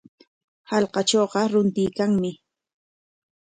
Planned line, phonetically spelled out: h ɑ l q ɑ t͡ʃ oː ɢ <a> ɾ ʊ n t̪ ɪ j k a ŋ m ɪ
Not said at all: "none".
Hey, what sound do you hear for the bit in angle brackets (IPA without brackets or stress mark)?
ɑ